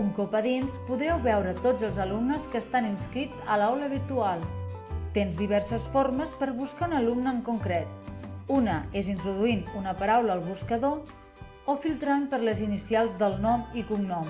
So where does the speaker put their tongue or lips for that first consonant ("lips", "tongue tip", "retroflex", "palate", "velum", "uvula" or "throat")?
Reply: velum